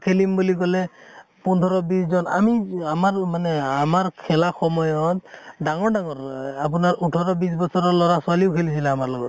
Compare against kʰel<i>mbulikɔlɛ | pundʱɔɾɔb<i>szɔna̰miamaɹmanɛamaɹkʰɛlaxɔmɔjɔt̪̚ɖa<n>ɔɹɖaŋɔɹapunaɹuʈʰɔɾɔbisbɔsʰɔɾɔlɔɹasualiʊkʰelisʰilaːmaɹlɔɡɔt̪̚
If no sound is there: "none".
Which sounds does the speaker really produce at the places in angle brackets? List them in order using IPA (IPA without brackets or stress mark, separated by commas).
i, i, ŋ